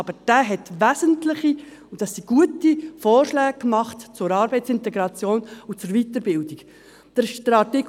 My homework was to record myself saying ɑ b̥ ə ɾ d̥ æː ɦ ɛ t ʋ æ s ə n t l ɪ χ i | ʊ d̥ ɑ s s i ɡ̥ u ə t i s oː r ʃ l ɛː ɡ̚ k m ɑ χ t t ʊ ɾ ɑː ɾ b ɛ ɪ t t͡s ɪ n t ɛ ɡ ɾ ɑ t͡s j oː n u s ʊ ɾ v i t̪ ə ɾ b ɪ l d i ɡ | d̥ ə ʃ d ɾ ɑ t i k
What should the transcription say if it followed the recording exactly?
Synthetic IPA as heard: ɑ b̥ ə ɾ d̥ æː ɦ ɛ t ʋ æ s ə n t l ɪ χ i | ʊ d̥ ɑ s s i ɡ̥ u ə t i f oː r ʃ l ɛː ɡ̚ k m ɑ χ t t͡s ʊ ɾ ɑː ɾ b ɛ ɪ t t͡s ɪ n t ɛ ɡ ɾ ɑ t͡s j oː n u t͡s ʊ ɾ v i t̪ ə ɾ b ɪ l d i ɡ | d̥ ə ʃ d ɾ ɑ t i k